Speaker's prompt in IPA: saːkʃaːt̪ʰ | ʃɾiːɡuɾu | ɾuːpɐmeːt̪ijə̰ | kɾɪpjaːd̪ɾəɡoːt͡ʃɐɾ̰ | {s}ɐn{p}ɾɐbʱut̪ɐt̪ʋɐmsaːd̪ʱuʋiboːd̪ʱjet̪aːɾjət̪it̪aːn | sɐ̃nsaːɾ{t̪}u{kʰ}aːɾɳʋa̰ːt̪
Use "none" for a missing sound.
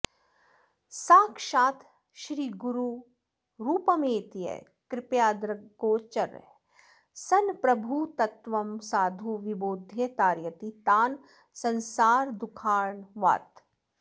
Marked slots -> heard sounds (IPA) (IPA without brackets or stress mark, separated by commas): s, p, d̪, kʰ